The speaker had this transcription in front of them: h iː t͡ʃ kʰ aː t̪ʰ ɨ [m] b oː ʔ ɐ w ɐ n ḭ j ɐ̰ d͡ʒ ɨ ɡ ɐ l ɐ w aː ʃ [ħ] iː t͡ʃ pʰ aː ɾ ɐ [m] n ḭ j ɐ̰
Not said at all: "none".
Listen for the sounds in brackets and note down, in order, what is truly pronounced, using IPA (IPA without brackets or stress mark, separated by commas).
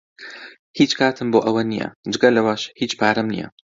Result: m, h, m